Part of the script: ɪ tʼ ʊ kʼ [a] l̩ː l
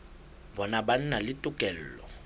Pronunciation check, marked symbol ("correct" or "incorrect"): incorrect